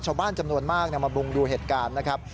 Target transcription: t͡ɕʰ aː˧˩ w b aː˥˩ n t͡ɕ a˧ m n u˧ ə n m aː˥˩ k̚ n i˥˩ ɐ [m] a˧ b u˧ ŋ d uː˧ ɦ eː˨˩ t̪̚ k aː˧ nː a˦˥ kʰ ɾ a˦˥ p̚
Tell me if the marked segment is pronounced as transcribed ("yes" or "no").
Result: yes